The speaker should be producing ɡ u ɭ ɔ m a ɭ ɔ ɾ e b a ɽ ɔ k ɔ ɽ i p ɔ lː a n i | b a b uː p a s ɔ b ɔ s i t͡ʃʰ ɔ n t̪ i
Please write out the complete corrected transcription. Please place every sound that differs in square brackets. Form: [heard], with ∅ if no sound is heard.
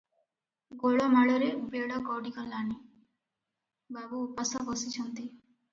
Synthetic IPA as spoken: ɡ [o] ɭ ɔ m a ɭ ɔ ɾ e b [e] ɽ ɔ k ɔ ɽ i [k] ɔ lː a n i | b a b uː p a s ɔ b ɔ s i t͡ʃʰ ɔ n t̪ i